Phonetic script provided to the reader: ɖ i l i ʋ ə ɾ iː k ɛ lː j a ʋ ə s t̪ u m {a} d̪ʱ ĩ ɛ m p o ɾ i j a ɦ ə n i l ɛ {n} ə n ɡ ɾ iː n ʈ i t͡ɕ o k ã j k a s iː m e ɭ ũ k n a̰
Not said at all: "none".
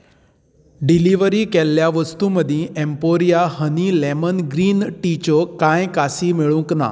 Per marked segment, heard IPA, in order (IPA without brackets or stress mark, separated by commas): ə, m